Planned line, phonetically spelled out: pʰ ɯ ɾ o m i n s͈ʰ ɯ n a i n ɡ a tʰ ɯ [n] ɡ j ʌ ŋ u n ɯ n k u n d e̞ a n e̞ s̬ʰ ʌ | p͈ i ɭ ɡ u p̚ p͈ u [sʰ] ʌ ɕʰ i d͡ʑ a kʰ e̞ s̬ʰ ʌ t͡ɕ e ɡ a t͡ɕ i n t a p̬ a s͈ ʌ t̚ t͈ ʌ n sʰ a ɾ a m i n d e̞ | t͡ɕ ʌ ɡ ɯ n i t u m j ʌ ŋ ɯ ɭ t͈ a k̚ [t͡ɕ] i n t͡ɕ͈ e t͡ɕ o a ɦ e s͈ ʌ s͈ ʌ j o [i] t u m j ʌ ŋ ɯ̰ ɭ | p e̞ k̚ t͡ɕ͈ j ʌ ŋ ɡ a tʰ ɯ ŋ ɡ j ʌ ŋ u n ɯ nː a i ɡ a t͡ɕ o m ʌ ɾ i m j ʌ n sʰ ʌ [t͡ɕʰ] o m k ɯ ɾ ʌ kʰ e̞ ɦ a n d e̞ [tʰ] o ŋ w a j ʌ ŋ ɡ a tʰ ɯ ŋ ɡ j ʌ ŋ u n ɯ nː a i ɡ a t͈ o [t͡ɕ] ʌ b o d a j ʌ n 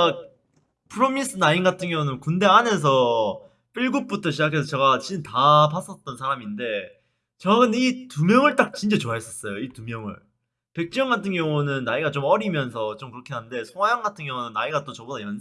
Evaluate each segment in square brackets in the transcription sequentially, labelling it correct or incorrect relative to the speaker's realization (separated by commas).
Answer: incorrect, incorrect, correct, correct, incorrect, incorrect, correct